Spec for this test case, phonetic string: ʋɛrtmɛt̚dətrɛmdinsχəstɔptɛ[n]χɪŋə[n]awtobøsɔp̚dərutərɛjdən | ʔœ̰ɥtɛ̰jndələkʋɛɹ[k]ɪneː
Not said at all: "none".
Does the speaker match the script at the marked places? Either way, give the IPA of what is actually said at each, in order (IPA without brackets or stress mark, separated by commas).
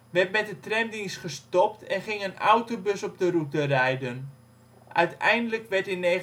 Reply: n, n, t